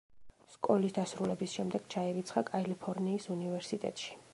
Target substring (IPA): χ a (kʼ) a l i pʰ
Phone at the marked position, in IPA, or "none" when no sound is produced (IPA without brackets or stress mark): kʼ